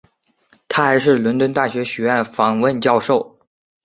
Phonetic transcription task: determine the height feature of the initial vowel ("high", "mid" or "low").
low